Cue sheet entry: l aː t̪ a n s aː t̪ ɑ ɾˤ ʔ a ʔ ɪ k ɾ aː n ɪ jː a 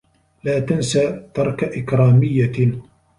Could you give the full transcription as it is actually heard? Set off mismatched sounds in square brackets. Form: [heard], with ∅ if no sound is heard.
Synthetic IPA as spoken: l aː t̪ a n s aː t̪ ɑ ɾˤ [k] a ʔ ɪ k ɾ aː [m] ɪ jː a